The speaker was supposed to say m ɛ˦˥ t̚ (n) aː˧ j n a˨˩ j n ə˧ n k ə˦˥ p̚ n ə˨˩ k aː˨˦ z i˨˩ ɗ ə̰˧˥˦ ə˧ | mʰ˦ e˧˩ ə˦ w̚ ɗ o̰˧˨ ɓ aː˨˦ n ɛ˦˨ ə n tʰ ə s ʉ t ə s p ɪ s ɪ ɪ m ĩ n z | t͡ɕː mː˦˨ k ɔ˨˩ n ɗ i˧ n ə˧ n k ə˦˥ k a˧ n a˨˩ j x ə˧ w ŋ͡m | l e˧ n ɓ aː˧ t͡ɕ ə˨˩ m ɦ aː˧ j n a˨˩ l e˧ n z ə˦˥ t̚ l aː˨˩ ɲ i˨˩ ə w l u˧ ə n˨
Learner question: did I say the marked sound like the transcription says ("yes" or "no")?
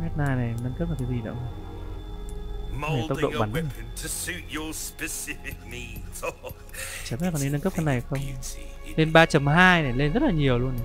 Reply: yes